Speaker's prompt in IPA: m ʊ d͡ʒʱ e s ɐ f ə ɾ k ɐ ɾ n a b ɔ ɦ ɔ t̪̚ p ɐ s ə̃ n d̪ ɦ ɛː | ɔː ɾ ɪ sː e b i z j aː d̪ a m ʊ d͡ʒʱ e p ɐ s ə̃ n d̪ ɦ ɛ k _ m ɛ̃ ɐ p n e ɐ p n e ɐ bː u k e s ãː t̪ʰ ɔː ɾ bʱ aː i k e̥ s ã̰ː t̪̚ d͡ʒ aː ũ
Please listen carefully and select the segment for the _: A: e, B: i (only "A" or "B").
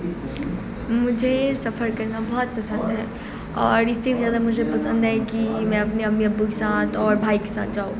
B